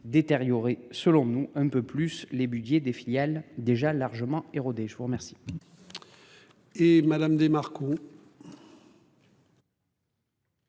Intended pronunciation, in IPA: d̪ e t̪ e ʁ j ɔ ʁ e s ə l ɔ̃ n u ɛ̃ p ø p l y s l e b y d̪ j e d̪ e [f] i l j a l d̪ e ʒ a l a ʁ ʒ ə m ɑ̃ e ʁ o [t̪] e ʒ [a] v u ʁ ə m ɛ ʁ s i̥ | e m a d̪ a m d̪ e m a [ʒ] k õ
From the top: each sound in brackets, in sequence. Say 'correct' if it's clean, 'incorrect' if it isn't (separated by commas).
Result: correct, incorrect, incorrect, incorrect